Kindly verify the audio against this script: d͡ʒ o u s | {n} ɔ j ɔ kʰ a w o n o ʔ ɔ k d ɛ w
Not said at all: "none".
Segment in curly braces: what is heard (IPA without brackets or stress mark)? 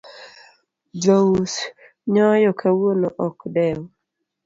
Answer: ɲ